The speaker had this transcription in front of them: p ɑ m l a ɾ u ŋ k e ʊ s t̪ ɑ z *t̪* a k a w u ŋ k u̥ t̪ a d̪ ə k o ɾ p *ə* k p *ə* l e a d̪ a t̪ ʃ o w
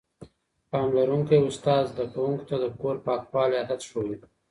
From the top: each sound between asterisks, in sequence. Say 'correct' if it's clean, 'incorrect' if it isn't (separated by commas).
incorrect, incorrect, incorrect